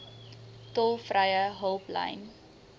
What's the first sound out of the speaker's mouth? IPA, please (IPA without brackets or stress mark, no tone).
t